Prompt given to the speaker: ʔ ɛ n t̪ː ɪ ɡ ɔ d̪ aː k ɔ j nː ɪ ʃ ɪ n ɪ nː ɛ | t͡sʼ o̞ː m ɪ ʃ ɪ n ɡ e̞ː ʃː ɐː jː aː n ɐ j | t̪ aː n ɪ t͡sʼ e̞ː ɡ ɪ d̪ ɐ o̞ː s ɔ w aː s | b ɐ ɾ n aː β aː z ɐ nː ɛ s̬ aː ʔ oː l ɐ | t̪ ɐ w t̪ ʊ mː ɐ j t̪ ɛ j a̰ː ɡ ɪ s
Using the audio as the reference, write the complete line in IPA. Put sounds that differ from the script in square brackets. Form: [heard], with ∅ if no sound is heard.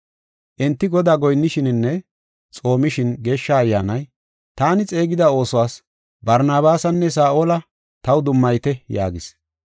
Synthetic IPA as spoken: ʔ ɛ n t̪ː ɪ ɡ ɔ d̪ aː [ɡ] ɔ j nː ɪ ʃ ɪ n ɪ nː ɛ | t͡sʼ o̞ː m ɪ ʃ ɪ n ɡ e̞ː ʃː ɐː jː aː n ɐ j | t̪ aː n ɪ t͡sʼ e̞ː ɡ ɪ d̪ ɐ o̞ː s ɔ w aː s | b ɐ ɾ n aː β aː [s] ɐ nː ɛ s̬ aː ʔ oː l ɐ | t̪ ɐ w [d̪] ʊ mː ɐ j t̪ ɛ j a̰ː ɡ ɪ s